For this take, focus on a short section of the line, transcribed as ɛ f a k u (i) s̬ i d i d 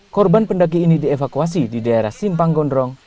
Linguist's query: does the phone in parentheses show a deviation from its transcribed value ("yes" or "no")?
yes